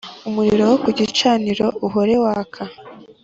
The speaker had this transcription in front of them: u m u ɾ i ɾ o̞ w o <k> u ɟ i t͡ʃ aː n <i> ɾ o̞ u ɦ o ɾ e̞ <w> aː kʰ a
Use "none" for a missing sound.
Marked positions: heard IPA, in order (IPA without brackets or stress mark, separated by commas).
k, i, w